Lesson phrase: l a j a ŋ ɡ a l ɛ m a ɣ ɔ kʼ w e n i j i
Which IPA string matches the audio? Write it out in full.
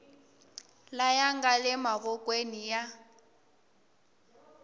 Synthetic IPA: l a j a ŋ ɡ a l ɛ m a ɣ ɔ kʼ w e n i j a